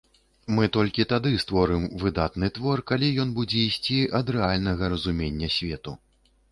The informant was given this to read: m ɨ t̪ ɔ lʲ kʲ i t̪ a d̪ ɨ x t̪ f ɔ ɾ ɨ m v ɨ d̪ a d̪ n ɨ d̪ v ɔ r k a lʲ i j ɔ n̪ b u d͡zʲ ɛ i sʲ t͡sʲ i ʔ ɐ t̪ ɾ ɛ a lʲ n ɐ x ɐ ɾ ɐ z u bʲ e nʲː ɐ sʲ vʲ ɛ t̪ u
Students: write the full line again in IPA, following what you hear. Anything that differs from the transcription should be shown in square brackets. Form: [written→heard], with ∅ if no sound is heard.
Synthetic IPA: m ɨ t̪ ɔ lʲ kʲ i t̪ a d̪ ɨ [x→s] t̪ [f→v] ɔ ɾ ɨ m v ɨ d̪ a [d̪→t̪] n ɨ [d̪→t̪] v ɔ r k a lʲ i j ɔ n̪ b u d͡zʲ ɛ i sʲ t͡sʲ i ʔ ɐ [t̪→d̪] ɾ ɛ a lʲ n ɐ [x→ɣ] ɐ ɾ ɐ z u [bʲ→mʲ] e nʲː ɐ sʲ vʲ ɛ t̪ u

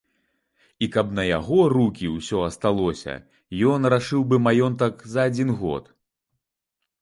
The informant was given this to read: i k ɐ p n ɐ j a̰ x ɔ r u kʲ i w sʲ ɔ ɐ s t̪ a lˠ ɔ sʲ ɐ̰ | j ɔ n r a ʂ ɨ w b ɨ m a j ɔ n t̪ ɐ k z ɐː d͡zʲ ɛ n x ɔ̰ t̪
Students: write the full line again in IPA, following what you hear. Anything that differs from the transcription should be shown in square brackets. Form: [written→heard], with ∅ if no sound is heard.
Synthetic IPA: i k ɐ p n ɐ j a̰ [x→ɣ] ɔ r u kʲ i w sʲ ɔ ɐ s t̪ a lˠ ɔ sʲ ɐ̰ | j ɔ n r a ʂ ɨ w b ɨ m a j ɔ n t̪ ɐ k z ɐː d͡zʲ [ɛ→i] n [x→ɣ] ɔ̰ t̪

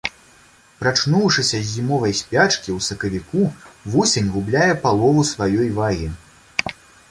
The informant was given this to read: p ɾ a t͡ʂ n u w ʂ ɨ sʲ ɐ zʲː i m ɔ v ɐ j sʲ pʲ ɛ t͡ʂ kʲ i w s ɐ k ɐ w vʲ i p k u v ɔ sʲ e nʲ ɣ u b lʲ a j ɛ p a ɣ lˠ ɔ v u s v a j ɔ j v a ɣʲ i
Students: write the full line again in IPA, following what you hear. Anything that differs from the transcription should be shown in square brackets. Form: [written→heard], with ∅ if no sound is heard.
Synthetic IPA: p ɾ a t͡ʂ n u w ʂ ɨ sʲ ɐ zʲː i m ɔ v ɐ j sʲ pʲ [ɛ→a] t͡ʂ kʲ i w s ɐ k ɐ [w→∅] vʲ i [p→∅] k u v ɔ sʲ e nʲ ɣ u b lʲ a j ɛ p a [ɣ→∅] lˠ ɔ v u s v a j ɔ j v a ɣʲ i

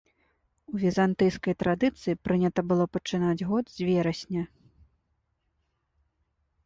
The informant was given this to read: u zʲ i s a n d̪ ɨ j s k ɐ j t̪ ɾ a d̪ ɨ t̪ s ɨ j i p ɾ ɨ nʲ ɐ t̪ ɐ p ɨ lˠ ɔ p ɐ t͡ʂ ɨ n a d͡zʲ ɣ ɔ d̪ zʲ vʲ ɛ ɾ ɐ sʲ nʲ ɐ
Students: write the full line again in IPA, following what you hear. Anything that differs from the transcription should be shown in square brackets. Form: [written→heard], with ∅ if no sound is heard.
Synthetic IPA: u [zʲ→vʲ] i [s→z] a n [d̪→t̪] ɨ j s k ɐ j t̪ ɾ a d̪ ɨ t̪ s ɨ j i p ɾ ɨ nʲ ɐ t̪ ɐ [p→b] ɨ lˠ ɔ p ɐ t͡ʂ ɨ n a d͡zʲ ɣ ɔ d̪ zʲ vʲ ɛ ɾ ɐ sʲ nʲ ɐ

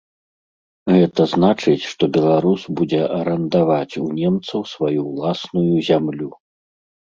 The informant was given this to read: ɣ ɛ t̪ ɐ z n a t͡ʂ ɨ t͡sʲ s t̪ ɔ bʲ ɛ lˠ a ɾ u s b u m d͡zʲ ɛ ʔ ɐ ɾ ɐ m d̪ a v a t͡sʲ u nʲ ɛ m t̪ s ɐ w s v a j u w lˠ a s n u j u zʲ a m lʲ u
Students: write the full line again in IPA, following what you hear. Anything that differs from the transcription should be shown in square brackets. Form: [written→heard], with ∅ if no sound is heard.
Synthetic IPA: ɣ ɛ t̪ ɐ z n a t͡ʂ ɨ t͡sʲ [s→ʂ] t̪ ɔ bʲ ɛ lˠ a ɾ u s b u [m→∅] d͡zʲ ɛ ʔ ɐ ɾ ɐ [m→n] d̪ a v a t͡sʲ u nʲ ɛ m t̪ s ɐ w s v a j u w lˠ a s n u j u zʲ a m lʲ u

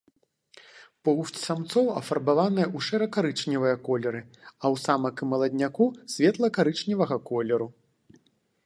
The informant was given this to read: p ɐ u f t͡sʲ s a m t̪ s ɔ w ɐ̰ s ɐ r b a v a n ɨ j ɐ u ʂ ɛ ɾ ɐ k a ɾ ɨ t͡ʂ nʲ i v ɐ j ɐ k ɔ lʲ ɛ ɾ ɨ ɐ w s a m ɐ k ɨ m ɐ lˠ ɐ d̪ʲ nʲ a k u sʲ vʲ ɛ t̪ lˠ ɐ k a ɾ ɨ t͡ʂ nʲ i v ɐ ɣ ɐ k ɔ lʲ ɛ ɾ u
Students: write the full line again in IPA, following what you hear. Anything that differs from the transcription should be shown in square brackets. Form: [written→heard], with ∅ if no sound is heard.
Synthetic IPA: p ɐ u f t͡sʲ s a m t̪ s ɔ w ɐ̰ [s→f] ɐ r b a v a n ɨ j ɐ u ʂ ɛ ɾ ɐ k a ɾ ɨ t͡ʂ nʲ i v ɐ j ɐ k ɔ lʲ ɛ ɾ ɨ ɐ w s a m ɐ k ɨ m ɐ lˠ ɐ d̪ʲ nʲ a k u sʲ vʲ ɛ t̪ lˠ ɐ k a ɾ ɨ t͡ʂ nʲ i v ɐ ɣ ɐ k ɔ lʲ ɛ ɾ u

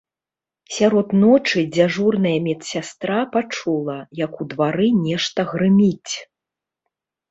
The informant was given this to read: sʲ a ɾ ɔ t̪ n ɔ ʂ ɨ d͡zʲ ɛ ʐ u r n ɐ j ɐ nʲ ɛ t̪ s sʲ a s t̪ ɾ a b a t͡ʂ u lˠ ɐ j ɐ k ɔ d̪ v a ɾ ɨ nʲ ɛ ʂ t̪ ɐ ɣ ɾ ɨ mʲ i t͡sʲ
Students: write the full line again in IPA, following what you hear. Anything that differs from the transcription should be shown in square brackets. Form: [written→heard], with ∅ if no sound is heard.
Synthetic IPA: sʲ a ɾ ɔ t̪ n ɔ [ʂ→t͡ʂ] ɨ d͡zʲ [ɛ→a] ʐ u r n ɐ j ɐ [nʲ→mʲ] ɛ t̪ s sʲ a s t̪ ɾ a [b→p] a t͡ʂ u lˠ ɐ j ɐ k [ɔ→u] d̪ v a ɾ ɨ nʲ ɛ ʂ t̪ ɐ ɣ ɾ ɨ mʲ i t͡sʲ

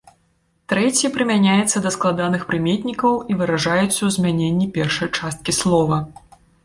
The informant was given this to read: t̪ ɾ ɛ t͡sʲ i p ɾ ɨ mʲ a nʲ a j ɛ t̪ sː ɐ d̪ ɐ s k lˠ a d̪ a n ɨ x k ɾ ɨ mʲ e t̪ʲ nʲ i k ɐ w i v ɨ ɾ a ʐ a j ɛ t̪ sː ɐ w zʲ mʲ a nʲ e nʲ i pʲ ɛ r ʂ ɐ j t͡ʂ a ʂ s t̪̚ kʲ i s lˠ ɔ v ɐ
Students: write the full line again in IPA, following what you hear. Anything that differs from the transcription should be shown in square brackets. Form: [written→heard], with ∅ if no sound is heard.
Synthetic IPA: t̪ ɾ ɛ t͡sʲ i p ɾ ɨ mʲ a nʲ a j ɛ t̪ sː ɐ d̪ ɐ s k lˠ a d̪ a n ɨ x [k→p] ɾ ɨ mʲ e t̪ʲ nʲ i k ɐ w i v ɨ ɾ a ʐ a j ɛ t̪ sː ɐ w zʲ mʲ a nʲ e [nʲ→nʲː] i pʲ ɛ r ʂ ɐ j t͡ʂ a [ʂ→∅] s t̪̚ kʲ i s lˠ ɔ v ɐ

